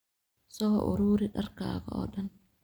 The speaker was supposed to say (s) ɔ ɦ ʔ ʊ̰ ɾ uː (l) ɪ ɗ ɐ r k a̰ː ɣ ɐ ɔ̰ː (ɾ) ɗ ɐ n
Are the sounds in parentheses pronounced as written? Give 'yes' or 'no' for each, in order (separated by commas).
yes, no, no